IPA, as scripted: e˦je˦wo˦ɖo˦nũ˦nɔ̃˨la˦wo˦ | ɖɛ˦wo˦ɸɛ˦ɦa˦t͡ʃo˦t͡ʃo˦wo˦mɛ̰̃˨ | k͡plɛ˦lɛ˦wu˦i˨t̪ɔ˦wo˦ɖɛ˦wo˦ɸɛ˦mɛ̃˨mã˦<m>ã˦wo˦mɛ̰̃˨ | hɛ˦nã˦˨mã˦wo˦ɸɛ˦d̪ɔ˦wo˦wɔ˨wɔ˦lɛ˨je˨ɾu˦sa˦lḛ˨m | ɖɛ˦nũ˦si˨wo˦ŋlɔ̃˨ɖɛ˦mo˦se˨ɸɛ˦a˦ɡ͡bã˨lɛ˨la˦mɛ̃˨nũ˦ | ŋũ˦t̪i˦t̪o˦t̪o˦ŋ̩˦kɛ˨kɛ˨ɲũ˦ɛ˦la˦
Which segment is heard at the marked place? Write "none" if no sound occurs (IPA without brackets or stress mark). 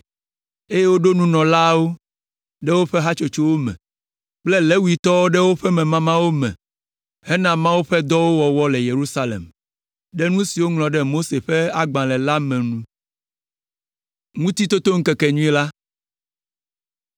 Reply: m